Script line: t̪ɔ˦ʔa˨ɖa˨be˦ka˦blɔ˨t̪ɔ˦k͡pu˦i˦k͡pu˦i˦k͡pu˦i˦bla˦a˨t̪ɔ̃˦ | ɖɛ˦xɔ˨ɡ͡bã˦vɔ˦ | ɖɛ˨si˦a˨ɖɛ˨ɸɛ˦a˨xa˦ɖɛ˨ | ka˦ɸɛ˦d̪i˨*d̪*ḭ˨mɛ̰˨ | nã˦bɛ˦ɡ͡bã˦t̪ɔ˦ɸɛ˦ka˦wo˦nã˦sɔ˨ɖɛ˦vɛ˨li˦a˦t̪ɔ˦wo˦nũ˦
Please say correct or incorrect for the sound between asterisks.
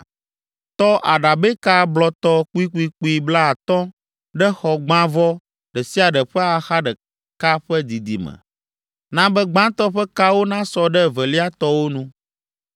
correct